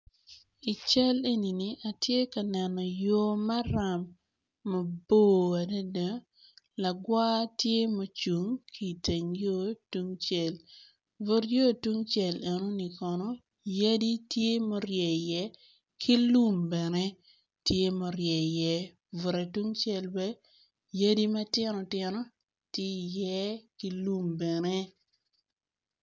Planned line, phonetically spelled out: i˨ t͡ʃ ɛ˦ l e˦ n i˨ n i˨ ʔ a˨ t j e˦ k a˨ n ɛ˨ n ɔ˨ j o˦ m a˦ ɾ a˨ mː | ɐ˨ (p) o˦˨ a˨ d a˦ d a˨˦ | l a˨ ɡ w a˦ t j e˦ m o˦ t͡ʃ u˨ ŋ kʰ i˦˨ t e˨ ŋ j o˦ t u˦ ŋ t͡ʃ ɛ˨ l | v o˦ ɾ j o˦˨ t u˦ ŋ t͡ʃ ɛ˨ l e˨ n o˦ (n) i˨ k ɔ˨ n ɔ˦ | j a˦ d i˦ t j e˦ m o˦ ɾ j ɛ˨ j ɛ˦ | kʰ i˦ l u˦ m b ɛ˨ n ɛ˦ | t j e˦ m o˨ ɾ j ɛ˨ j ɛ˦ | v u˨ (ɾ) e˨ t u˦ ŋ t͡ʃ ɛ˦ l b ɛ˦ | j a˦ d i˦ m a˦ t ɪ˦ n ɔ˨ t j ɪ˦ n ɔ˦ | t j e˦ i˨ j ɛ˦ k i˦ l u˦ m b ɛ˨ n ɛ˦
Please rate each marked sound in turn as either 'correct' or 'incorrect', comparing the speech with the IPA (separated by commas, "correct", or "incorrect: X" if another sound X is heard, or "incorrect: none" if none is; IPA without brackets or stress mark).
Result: incorrect: b, correct, correct